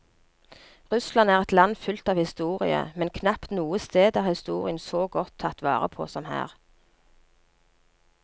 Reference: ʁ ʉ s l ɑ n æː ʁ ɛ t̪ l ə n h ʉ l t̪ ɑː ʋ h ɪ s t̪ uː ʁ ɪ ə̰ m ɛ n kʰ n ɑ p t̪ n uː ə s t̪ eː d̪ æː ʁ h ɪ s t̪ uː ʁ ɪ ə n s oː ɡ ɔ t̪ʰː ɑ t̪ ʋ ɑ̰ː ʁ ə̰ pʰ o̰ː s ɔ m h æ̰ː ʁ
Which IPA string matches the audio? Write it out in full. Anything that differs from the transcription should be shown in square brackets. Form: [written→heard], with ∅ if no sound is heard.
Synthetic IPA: ʁ ʉ s l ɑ n æː ʁ ɛ t̪ l [ə→ɑ] n [h→f] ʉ l t̪ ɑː ʋ h ɪ s t̪ uː ʁ ɪ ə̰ m ɛ n kʰ n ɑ p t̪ n uː ə s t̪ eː d̪ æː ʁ h ɪ s t̪ uː ʁ ɪ ə n s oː ɡ ɔ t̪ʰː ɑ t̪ ʋ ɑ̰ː ʁ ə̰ pʰ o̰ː s ɔ m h æ̰ː ʁ